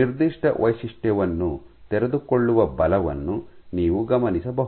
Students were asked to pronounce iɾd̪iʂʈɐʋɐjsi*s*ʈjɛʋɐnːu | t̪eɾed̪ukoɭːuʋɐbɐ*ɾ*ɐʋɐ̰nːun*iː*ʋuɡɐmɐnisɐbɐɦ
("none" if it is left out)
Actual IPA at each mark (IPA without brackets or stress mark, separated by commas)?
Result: ʂ, l, iː